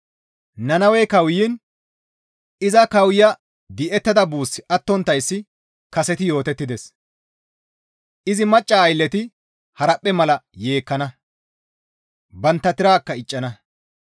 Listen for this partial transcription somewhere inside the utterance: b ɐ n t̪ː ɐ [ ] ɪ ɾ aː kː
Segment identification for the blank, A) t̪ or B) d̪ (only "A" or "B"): A